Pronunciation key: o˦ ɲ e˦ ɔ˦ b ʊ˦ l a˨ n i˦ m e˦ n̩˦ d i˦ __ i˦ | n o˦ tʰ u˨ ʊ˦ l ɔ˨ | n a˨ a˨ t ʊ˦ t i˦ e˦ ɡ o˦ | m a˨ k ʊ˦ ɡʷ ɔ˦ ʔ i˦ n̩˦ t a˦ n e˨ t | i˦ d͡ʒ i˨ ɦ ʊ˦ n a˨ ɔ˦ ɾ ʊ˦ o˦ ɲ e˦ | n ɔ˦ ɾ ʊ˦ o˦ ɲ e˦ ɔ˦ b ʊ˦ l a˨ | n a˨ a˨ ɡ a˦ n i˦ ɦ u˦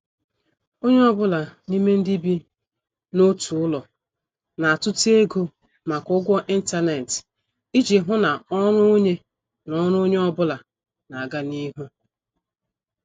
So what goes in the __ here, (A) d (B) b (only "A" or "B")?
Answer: B